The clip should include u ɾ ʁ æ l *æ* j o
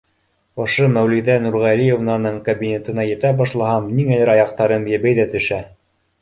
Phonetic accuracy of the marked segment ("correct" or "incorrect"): incorrect